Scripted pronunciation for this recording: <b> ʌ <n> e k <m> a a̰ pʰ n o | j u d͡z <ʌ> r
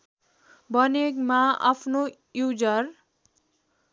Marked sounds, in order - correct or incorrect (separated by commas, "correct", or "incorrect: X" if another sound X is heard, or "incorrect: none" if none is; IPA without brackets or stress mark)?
correct, correct, correct, correct